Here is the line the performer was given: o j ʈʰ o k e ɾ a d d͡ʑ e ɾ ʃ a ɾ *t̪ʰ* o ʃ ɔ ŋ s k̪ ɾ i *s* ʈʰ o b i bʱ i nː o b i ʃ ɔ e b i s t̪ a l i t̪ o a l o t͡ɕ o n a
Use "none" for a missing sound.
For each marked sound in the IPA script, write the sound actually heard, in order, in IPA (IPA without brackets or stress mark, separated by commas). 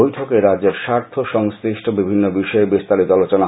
t̪ʰ, ʃ